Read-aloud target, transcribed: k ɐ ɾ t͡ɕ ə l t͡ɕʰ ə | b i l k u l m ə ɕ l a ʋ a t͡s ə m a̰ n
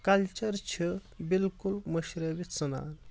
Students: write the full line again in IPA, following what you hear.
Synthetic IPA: k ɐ l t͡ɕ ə ɾ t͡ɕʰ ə | b i l k u l m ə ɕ ɾ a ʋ i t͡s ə n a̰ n